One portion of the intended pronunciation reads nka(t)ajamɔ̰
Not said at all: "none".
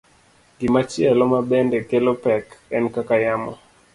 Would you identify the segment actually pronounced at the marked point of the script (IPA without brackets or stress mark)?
k